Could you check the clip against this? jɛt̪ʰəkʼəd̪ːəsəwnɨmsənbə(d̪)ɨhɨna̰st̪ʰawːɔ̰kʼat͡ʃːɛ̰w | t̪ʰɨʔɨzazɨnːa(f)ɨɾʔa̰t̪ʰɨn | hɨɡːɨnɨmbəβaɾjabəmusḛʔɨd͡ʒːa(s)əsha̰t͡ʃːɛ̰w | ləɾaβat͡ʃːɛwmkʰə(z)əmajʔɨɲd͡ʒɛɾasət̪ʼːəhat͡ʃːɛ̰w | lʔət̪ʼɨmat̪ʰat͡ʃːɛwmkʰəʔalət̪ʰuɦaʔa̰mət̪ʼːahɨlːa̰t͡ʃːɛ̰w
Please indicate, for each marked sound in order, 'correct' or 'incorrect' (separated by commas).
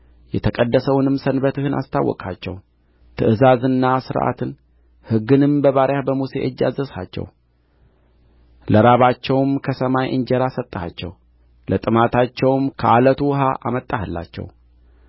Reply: incorrect, incorrect, incorrect, incorrect